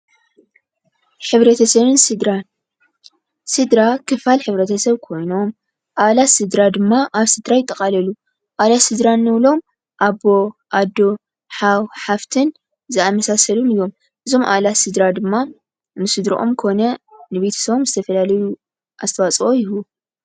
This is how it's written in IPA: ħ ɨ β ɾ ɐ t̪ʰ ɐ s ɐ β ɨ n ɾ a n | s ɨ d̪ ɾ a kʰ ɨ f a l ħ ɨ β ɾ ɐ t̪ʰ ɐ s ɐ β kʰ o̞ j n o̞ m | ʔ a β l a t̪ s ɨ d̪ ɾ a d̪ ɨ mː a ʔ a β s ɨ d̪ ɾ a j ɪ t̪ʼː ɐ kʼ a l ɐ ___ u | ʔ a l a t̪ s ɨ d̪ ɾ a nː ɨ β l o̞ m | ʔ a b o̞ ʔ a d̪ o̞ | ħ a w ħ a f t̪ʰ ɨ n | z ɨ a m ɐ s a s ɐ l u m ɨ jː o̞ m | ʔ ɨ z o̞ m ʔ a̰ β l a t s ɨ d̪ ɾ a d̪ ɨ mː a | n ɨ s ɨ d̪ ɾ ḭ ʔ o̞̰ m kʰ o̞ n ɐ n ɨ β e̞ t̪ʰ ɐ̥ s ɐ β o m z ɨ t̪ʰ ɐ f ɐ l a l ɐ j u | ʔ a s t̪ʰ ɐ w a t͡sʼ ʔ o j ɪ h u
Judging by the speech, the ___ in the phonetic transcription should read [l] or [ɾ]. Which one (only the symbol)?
l